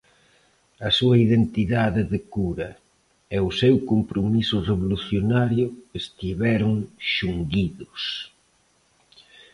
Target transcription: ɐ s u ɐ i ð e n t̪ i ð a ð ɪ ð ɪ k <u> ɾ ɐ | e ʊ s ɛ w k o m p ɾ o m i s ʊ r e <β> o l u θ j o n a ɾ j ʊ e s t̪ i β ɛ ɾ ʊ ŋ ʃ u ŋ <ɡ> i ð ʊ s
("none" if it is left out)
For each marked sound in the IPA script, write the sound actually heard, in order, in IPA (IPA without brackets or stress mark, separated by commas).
u, β, ɡ